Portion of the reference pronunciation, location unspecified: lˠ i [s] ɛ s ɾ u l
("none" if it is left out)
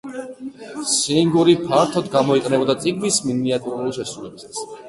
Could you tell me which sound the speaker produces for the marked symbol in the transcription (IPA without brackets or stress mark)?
ʃ